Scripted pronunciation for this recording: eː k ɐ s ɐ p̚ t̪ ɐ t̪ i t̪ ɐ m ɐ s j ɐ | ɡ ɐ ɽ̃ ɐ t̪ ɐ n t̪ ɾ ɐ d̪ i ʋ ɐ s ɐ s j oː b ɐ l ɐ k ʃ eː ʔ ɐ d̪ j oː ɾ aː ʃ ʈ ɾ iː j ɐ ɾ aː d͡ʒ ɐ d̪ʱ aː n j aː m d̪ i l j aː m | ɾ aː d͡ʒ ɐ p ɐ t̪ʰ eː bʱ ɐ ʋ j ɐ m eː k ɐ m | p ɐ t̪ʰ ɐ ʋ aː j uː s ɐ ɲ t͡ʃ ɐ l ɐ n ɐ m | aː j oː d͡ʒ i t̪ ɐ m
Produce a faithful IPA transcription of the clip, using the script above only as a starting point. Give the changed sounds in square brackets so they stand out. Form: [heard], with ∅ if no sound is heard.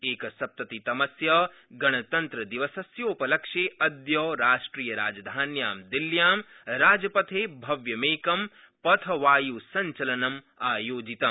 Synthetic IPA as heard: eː k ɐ s ɐ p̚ t̪ ɐ t̪ i t̪ ɐ m ɐ s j ɐ | ɡ ɐ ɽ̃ ɐ t̪ ɐ n t̪ ɾ ɐ d̪ i ʋ ɐ s ɐ s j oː [p] ɐ l ɐ k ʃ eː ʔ ɐ d̪ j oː ɾ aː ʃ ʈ ɾ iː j ɐ ɾ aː d͡ʒ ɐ d̪ʱ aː n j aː m d̪ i l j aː m | ɾ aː d͡ʒ ɐ p ɐ t̪ʰ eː bʱ ɐ ʋ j ɐ m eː k ɐ m | p ɐ t̪ʰ ɐ ʋ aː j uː s ɐ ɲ t͡ʃ ɐ l ɐ n ɐ m | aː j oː d͡ʒ i t̪ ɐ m